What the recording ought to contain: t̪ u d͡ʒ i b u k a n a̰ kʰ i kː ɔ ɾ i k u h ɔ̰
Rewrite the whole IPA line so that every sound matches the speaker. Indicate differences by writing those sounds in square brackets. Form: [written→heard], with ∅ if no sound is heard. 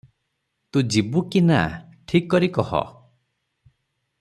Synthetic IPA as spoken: t̪ u d͡ʒ i b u k [a→i] n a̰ [kʰ→ʈʰ] i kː ɔ ɾ i k [u→ɔ] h ɔ̰